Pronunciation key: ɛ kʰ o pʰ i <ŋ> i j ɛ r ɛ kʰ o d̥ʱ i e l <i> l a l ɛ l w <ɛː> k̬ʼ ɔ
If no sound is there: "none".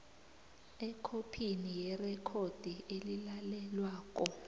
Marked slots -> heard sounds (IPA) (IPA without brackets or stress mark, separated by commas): n, i, aː